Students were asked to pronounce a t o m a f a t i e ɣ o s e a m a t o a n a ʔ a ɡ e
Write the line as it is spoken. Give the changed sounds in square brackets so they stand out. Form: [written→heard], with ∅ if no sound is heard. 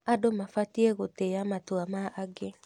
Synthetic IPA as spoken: a [t→d] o m a f a t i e ɣ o [s→t] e a m a t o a [n→m] a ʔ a ɡ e